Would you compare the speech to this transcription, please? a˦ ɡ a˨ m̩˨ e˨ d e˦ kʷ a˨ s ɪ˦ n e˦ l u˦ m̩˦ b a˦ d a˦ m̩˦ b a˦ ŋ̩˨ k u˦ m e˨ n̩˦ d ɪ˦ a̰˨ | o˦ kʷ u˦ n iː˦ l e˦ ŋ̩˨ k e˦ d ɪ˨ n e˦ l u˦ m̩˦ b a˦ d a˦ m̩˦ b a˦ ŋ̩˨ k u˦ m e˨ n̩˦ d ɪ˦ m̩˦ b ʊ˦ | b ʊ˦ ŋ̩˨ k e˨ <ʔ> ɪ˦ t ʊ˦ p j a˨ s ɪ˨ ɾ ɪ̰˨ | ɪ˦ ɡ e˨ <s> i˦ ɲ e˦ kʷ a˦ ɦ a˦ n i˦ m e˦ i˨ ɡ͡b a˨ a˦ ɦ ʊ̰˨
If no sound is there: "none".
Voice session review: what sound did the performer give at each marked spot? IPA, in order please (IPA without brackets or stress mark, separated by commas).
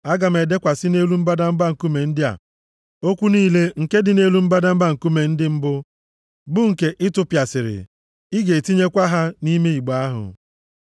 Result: ʔ, t